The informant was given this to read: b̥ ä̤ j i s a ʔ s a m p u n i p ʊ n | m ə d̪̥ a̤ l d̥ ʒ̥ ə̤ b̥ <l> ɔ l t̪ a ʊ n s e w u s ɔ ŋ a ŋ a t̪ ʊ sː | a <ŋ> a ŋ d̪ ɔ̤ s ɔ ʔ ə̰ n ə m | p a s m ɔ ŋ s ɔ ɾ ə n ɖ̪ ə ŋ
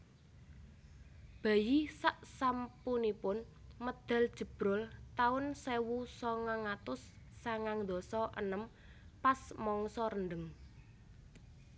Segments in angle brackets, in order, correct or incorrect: incorrect, correct

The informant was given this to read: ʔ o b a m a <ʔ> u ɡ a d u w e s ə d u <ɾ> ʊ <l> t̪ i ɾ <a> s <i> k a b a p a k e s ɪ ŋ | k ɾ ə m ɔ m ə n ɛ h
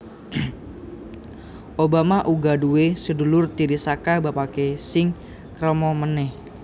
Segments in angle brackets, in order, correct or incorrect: correct, incorrect, incorrect, incorrect, incorrect

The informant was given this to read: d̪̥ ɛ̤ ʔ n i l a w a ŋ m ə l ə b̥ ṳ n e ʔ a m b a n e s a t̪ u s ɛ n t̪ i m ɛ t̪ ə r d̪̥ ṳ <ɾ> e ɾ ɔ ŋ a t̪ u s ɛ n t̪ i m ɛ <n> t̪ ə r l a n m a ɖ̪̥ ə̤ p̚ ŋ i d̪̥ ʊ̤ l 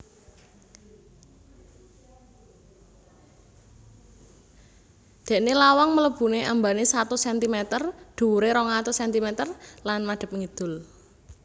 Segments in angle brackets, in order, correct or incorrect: correct, incorrect

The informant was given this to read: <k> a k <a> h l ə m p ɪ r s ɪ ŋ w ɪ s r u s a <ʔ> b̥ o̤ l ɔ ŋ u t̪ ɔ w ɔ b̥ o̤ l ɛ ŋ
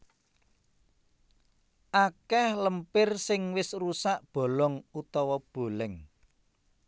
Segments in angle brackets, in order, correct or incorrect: incorrect, incorrect, correct

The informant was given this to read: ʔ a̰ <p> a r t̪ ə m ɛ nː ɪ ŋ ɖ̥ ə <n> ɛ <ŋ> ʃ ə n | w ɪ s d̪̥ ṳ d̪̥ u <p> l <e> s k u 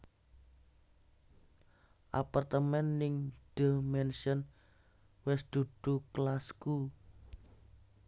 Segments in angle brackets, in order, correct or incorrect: correct, incorrect, incorrect, incorrect, incorrect

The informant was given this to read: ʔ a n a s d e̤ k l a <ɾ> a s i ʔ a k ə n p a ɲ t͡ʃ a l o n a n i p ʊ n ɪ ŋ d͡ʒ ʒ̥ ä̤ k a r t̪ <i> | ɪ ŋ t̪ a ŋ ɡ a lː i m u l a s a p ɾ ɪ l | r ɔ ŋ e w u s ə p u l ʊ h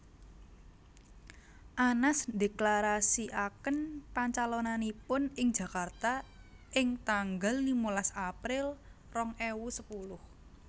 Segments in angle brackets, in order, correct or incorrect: correct, incorrect

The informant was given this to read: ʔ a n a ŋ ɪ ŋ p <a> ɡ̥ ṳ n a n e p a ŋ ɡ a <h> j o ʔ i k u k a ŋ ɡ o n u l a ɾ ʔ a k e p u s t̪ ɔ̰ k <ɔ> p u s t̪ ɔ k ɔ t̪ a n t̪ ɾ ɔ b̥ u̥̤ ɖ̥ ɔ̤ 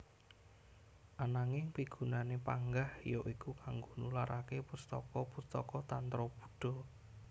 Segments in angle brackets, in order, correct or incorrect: incorrect, correct, correct

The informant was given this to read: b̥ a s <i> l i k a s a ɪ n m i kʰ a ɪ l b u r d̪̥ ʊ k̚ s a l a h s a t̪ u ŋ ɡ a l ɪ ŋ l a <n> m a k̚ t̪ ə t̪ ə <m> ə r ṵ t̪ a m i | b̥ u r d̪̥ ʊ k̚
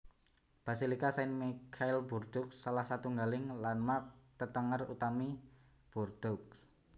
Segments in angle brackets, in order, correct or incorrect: correct, correct, incorrect

